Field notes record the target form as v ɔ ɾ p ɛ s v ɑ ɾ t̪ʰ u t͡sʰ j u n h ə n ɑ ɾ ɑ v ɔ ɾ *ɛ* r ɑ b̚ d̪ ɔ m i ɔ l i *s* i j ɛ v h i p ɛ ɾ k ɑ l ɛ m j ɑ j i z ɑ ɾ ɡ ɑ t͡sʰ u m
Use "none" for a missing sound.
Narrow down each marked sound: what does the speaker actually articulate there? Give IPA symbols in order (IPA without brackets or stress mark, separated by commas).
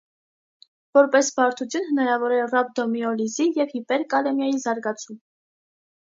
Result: ɛ, z